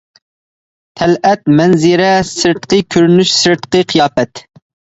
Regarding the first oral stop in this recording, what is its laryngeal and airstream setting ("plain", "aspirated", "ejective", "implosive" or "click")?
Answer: aspirated